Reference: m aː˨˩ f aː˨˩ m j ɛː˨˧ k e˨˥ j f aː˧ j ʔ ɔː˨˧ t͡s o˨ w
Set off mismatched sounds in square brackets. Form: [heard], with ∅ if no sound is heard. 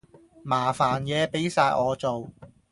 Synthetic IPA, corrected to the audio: m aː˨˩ f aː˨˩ [n] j ɛː˨˧ [p] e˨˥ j [s] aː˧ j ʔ ɔː˨˧ t͡s o˨ w